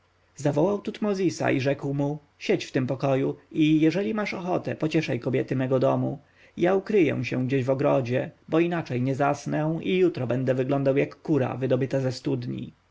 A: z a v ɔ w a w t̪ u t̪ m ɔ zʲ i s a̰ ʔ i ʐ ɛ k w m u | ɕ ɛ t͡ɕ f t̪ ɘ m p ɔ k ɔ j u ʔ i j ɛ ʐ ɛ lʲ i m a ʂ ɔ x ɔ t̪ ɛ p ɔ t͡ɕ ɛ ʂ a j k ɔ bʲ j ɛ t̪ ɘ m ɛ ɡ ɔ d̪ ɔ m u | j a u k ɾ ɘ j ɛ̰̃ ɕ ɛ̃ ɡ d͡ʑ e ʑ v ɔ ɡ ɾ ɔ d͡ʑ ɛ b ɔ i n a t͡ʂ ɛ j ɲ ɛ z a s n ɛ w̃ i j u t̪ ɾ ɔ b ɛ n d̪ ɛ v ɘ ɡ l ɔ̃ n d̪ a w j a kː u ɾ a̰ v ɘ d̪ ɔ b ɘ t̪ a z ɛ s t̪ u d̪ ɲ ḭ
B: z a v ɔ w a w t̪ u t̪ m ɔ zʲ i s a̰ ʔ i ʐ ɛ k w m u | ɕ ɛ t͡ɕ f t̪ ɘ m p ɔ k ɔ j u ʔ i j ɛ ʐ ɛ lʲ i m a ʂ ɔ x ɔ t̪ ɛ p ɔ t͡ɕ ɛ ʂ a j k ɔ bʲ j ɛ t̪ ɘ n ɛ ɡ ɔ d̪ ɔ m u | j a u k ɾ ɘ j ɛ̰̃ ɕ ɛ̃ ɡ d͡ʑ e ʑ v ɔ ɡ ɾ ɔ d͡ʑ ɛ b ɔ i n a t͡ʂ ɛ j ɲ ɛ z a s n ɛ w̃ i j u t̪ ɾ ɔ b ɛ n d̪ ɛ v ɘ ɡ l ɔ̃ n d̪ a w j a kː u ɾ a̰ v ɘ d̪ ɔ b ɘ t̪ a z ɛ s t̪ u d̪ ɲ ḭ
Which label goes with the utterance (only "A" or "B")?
A